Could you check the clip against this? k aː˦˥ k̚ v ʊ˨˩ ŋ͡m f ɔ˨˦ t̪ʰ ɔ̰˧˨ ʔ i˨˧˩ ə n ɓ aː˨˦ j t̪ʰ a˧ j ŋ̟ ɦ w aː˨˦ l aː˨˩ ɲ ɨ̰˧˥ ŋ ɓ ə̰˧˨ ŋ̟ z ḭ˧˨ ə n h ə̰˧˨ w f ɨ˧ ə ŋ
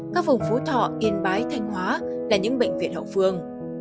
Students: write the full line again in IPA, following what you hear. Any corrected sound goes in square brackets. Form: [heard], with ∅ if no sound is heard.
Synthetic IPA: k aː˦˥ k̚ v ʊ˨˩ ŋ͡m f [o˨˦] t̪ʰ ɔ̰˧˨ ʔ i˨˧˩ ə n ɓ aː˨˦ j t̪ʰ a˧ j ŋ̟ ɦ w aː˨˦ l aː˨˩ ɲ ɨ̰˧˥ ŋ ɓ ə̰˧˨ ŋ̟ [v] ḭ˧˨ ə n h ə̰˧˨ w f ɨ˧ ə ŋ